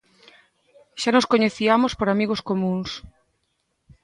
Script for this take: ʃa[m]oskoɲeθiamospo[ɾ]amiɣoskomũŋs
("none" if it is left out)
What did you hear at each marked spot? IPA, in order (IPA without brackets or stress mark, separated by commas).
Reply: n, ɾ